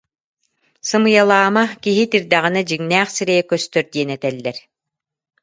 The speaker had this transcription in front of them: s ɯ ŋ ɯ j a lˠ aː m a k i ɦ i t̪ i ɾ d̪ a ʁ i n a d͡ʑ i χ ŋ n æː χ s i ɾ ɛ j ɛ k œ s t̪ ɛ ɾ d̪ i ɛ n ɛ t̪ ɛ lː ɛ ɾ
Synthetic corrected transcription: s ɯ m ɯ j a lˠ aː m a k i ɦ i t̪ i ɾ d̪ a ʁ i n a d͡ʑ i ŋ n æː χ s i ɾ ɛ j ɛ k œ s t̪ œ ɾ d̪ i ɛ n ɛ t̪ ɛ lː ɛ ɾ